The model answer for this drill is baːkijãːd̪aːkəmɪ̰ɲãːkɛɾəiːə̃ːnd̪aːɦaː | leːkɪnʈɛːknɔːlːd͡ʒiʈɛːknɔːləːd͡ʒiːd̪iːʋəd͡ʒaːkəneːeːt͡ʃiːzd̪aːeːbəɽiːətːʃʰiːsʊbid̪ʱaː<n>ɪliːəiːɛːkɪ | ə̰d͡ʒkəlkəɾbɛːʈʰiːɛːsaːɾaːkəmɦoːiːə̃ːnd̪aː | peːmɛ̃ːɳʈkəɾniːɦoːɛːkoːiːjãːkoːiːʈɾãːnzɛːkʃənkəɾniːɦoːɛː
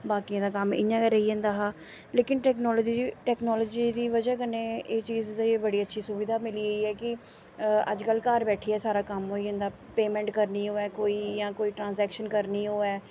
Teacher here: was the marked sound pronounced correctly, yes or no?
no